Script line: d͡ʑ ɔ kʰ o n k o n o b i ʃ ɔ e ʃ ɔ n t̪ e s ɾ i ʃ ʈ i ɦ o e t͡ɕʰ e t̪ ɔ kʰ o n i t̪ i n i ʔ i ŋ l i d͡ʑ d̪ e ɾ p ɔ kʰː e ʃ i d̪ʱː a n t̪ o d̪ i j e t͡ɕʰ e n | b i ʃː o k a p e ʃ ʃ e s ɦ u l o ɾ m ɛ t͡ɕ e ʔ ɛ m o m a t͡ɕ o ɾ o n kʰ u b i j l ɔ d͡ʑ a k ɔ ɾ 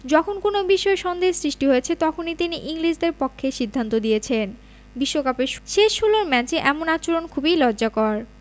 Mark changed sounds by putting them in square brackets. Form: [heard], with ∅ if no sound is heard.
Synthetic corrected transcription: d͡ʑ ɔ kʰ o n k o n o b i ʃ ɔ e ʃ ɔ n [d̪] e s ɾ i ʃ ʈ i ɦ o e t͡ɕʰ e t̪ ɔ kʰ o n i t̪ i n i ʔ i ŋ l i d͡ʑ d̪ e ɾ p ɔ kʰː e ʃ i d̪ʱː a n t̪ o d̪ i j e t͡ɕʰ e n | b i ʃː o k a p e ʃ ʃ e [ʃ] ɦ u l o ɾ m ɛ t͡ɕ e ʔ ɛ m o [n] a t͡ɕ o ɾ o n kʰ u b i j l ɔ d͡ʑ a k ɔ ɾ